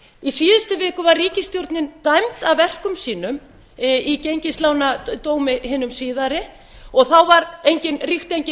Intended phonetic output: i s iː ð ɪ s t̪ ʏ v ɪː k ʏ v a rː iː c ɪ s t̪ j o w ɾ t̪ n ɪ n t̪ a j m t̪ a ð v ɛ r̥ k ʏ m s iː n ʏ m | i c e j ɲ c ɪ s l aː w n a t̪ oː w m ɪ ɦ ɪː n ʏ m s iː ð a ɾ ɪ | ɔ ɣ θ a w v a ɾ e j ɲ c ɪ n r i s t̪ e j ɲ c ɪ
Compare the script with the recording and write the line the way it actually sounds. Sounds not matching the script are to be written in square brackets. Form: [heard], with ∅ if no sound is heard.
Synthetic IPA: i s iː ð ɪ s t̪ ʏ v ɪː k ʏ v a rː iː c ɪ s t̪ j o w ɾ t̪ n ɪ n t̪ a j m t̪ a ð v ɛ r̥ k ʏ m s iː n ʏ m | i c e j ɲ c ɪ s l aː w n a t̪ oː w m ɪ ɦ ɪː n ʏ m s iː ð a ɾ ɪ | ɔ ɣ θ a w v a ɾ e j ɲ c ɪ n r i [x] t̪ e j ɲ c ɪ